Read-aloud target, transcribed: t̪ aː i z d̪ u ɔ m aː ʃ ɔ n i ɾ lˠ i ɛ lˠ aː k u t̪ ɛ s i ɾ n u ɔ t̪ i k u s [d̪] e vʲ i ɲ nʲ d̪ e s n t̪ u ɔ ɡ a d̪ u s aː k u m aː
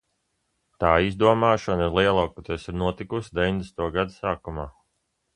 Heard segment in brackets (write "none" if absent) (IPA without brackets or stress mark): d̪